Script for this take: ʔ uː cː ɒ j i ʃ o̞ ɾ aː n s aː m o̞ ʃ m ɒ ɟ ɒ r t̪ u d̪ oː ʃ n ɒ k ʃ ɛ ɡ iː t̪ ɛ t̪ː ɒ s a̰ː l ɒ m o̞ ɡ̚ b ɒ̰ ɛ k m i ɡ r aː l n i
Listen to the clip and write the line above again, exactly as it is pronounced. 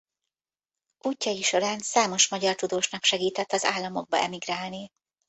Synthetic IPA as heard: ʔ uː cː ɒ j i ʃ o̞ ɾ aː n s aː m o̞ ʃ m ɒ ɟ ɒ r t̪ u d̪ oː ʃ n ɒ k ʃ ɛ ɡ iː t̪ ɛ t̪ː ɒ z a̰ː lː ɒ m o̞ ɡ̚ b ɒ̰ ɛ m i ɡ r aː l n i